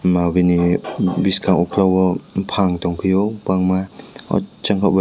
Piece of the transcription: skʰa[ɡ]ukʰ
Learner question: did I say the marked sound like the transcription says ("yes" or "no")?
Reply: no